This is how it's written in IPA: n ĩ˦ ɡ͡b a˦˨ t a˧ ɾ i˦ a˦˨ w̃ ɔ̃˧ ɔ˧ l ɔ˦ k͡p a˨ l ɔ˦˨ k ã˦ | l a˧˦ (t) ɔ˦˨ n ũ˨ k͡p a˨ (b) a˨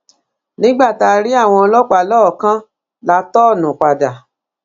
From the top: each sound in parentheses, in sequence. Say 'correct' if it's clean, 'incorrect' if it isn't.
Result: correct, incorrect

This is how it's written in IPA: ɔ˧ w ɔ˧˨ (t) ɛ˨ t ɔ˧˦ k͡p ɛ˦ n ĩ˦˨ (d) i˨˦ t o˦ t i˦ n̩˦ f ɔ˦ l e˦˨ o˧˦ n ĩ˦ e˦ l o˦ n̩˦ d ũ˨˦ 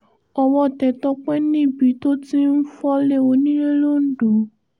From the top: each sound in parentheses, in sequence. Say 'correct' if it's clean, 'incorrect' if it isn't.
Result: correct, incorrect

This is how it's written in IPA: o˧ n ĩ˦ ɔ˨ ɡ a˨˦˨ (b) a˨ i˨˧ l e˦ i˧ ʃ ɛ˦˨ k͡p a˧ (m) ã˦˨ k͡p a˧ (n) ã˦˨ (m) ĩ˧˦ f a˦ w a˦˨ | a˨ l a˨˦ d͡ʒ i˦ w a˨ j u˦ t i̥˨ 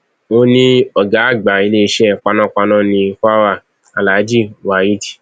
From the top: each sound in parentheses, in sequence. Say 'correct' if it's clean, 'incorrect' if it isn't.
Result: incorrect, incorrect, correct, incorrect

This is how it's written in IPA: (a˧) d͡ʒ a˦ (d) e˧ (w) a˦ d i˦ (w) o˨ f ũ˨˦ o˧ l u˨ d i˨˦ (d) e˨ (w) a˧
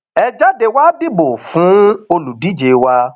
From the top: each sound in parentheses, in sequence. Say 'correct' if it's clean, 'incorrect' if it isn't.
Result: incorrect, correct, correct, incorrect, incorrect, correct

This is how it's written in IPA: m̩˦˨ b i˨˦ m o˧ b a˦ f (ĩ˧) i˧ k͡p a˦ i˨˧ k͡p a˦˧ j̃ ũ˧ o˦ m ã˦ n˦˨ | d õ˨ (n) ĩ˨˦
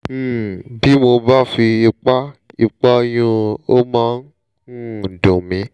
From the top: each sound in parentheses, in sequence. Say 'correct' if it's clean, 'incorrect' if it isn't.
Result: incorrect, incorrect

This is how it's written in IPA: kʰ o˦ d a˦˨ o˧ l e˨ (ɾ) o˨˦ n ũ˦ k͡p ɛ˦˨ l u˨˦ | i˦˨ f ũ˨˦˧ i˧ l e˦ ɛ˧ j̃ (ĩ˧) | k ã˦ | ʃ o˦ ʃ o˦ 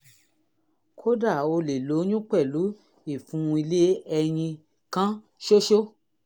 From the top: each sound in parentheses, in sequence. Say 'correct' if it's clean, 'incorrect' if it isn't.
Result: incorrect, correct

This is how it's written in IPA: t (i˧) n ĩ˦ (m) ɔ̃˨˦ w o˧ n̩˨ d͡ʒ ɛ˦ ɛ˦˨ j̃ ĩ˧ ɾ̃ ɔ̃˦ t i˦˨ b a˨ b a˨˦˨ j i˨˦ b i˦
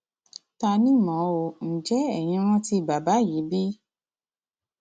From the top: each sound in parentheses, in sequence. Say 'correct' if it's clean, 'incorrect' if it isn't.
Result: incorrect, correct

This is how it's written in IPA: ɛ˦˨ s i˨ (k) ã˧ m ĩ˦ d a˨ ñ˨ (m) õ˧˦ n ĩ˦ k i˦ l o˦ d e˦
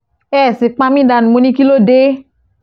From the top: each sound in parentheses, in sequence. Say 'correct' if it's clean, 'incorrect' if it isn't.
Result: incorrect, correct

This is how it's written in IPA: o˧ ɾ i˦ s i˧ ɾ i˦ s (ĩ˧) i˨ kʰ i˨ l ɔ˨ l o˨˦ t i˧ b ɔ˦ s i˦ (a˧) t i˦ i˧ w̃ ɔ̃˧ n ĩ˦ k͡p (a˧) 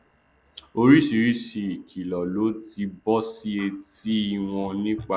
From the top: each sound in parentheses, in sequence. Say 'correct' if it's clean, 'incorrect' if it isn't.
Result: incorrect, incorrect, correct

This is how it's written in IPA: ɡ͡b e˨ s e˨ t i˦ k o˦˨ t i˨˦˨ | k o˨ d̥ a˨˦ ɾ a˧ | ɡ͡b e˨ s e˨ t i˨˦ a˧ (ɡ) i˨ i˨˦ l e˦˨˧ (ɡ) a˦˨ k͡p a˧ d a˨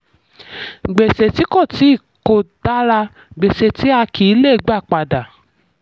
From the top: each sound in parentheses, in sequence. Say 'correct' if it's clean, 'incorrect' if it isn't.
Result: incorrect, incorrect

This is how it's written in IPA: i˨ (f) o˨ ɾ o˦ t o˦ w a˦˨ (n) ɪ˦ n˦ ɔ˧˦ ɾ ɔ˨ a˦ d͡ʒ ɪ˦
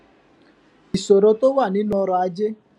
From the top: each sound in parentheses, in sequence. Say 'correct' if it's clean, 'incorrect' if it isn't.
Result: incorrect, correct

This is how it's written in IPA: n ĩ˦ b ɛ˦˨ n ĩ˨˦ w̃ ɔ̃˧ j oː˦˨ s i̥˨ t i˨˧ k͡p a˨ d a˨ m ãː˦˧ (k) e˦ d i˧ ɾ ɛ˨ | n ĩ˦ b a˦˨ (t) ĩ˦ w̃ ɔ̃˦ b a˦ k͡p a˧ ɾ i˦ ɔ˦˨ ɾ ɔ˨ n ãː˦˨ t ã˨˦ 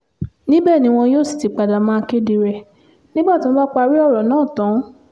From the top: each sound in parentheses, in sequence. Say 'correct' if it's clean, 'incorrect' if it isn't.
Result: correct, correct

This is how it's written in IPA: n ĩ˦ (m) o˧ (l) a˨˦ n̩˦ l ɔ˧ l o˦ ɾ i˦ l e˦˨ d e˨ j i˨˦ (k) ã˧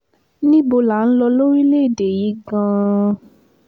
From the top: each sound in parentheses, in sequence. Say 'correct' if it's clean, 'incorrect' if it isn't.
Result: incorrect, correct, incorrect

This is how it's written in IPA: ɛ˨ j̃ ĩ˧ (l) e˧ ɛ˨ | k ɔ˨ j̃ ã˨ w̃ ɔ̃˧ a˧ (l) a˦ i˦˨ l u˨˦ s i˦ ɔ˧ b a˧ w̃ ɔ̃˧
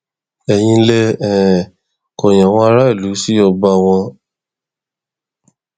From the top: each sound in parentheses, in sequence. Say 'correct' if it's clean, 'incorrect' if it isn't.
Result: correct, incorrect

